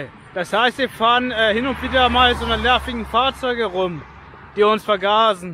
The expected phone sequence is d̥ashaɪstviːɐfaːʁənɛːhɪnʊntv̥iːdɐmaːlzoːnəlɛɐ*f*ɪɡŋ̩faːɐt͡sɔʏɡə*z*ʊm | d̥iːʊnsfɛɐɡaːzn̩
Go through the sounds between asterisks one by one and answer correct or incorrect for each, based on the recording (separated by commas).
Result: correct, incorrect